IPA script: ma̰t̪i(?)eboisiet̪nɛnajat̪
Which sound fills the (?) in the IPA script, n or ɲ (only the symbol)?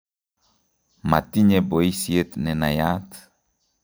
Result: ɲ